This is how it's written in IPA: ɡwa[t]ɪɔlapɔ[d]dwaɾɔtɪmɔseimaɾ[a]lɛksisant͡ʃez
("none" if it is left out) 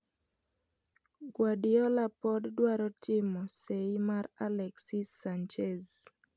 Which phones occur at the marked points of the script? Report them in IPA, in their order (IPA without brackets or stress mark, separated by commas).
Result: d, d, a